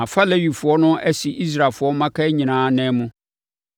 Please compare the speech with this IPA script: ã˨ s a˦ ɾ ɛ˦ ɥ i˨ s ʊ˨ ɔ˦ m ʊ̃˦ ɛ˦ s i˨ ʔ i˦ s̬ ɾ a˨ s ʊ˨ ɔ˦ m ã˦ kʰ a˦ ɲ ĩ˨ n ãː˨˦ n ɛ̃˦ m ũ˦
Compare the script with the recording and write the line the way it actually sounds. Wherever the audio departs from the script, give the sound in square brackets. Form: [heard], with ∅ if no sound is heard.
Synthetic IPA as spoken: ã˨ [f] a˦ [l] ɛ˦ ɥ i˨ [f] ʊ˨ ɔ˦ [n] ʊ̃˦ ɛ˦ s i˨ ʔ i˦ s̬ ɾ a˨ [f] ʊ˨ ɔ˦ m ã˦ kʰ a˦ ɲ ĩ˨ n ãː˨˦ n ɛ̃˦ m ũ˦